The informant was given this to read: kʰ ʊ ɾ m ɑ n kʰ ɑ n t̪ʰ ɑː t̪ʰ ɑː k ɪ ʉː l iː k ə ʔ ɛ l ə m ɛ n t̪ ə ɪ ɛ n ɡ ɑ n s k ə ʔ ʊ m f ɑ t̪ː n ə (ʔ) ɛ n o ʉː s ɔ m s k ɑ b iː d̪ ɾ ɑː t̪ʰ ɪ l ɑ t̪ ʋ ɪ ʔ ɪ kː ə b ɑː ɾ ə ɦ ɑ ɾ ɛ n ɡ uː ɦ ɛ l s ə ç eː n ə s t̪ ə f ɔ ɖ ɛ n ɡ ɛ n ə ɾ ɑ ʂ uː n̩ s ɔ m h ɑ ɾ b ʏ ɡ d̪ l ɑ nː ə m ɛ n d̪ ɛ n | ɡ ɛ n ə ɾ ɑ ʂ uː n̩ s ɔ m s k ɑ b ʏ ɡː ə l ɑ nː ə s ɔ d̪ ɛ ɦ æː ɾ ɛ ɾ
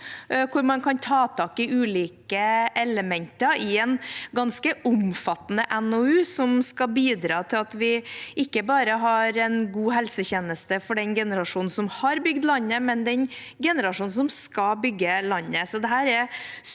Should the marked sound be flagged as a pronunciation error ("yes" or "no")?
no